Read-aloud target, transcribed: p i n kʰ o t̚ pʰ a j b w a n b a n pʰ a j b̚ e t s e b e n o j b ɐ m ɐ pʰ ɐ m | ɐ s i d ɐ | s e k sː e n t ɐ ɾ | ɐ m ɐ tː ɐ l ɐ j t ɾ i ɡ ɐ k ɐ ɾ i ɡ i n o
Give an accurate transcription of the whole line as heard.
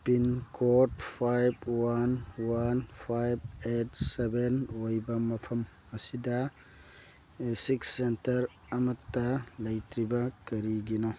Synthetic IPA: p i n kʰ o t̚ pʰ a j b w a n w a n pʰ a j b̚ e t s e b e n o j b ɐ m ɐ pʰ ɐ m | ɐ s i d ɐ | s i k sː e n t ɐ ɾ | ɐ m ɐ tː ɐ l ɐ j t ɾ i b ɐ k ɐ ɾ i ɡ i n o

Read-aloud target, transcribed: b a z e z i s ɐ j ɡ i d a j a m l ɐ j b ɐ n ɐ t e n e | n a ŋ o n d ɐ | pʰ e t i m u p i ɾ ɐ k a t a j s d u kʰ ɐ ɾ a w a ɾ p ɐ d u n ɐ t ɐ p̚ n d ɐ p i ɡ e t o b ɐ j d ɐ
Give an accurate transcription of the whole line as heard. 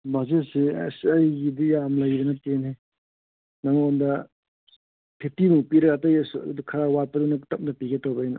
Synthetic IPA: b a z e s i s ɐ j ɡ i d i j a m l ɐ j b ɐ n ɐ t e n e | n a ŋ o n d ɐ | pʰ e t i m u p i ɾ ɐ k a t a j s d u kʰ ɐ ɾ a w a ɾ p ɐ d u n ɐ t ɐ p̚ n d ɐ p i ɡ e t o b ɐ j n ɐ

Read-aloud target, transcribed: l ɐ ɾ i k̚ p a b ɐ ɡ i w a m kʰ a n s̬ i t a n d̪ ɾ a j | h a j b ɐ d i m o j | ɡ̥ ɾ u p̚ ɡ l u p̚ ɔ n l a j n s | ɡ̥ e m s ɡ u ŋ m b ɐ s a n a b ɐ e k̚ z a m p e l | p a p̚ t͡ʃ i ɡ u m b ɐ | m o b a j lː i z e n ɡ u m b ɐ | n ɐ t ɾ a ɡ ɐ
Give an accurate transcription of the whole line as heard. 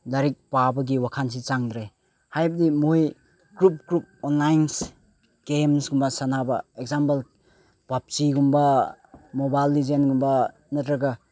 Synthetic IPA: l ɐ ɾ i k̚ p a b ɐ ɡ i w a kʰ a n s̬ i t͡ʃ a ŋ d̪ ɾ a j | h a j b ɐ d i m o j | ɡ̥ ɾ u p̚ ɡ ɾ u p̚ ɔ n l a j n s | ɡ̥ e m s ɡ u m b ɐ s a n a b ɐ e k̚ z a m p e l | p a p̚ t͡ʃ i ɡ u m b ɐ | m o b a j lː i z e n ɡ u m b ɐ | n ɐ t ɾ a ɡ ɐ

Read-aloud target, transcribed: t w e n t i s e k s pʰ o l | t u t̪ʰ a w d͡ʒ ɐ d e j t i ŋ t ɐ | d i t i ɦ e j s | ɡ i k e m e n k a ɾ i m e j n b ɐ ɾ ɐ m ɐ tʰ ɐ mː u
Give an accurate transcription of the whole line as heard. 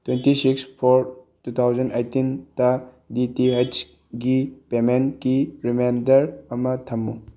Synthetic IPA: t w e n t i s i k s pʰ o ɾ | t u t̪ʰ a w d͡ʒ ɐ n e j t i n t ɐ | d i t i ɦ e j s | ɡ i p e m e n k i ɾ i m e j n d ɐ ɾ ɐ m ɐ tʰ ɐ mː u

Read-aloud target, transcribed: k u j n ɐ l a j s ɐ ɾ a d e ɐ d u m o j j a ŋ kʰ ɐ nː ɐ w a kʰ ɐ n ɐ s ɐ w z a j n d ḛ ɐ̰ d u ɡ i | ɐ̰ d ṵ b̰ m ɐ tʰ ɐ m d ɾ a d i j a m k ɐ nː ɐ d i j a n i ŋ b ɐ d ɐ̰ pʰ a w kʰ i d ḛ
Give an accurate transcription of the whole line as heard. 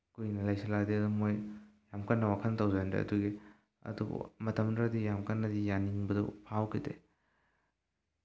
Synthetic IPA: k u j n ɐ l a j s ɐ l a d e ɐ d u m o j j a m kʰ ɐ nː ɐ w a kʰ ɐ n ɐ t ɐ w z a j n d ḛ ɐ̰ d u ɡ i | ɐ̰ d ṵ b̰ m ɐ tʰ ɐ m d ɾ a d i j a m k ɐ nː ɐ d i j a n i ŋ b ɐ d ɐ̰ pʰ a w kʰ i d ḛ

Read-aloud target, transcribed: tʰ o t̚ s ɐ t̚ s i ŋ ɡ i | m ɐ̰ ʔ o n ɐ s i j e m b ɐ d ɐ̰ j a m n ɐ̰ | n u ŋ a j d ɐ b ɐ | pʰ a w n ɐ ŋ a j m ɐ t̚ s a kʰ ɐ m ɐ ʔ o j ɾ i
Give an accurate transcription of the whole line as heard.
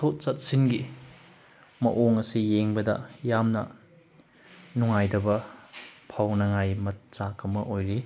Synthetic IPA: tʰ o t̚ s ɐ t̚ s i n ɡ i | m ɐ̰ ʔ o ŋ ɐ s i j e ŋ b ɐ d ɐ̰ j a m n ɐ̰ | n u ŋ a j d ɐ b ɐ | pʰ a w n ɐ ŋ a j m ɐ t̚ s a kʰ ɐ m ɐ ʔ o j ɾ i

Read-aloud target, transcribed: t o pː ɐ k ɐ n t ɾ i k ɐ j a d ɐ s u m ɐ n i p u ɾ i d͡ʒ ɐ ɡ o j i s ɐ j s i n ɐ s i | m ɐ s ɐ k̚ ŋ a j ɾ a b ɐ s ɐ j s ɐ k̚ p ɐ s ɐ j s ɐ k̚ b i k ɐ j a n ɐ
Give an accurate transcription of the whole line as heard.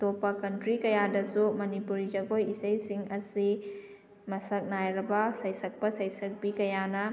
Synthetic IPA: t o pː ɐ k ɐ n t ɾ i k ɐ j a d ɐ s u m ɐ n i p u ɾ i d͡ʒ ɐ ɡ o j i s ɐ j s i ŋ ɐ s i | m ɐ s ɐ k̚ n a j ɾ ɐ b ɐ s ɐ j s ɐ k̚ p ɐ s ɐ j s ɐ k̚ b i k ɐ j a n ɐ

